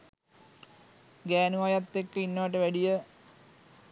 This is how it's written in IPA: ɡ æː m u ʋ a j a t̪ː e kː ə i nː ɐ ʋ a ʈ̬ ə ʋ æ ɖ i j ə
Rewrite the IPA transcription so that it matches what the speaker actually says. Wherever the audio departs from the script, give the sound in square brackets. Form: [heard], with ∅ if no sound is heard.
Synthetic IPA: ɡ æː [n] u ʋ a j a t̪ː e kː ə i nː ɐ ʋ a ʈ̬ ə ʋ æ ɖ i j ə